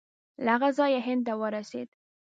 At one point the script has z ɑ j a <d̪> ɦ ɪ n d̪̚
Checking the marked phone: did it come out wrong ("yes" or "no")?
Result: yes